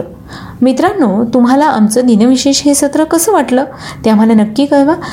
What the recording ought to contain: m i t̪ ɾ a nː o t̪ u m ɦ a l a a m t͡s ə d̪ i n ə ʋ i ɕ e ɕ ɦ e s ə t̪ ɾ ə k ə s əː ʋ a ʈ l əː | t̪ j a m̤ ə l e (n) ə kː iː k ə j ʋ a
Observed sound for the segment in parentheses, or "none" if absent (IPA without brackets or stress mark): n